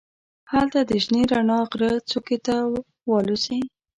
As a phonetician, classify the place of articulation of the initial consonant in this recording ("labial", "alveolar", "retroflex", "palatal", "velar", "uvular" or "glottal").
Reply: glottal